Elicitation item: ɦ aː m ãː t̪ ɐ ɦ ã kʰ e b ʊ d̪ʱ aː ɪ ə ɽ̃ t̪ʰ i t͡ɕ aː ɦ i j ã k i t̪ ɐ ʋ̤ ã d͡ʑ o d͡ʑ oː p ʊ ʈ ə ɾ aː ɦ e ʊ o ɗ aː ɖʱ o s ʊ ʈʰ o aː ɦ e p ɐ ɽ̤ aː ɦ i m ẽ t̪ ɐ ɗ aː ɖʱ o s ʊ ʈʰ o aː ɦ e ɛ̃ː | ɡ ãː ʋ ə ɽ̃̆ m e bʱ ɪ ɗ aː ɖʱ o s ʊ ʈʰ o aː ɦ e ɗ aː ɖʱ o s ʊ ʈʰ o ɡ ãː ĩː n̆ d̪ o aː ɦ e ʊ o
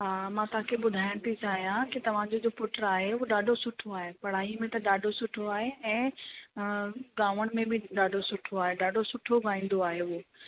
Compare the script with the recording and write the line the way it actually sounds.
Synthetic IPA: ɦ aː m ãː t̪ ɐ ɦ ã kʰ e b ʊ d̪ʱ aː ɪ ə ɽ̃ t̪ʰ i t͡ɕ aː ɦ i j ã k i t̪ ɐ ʋ̤ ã d͡ʑ o d͡ʑ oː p ʊ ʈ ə ɾ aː ɦ e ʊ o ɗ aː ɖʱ o s ʊ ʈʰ o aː ɦ e p ɐ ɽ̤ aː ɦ i m ẽ t̪ ɐ ɗ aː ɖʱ o s ʊ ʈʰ o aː ɦ e ɛ̃ː | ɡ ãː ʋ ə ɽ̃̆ m ẽ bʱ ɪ ɗ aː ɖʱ o s ʊ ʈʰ o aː ɦ e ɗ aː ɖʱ o s ʊ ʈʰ o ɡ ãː ĩː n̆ d̪ o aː ɦ e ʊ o